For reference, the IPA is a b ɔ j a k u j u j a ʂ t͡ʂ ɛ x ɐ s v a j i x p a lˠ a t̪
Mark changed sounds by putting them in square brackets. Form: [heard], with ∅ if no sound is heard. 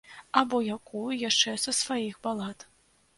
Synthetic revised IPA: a b ɔ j a k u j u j a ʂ t͡ʂ ɛ [s] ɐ s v a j i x [b] a lˠ a t̪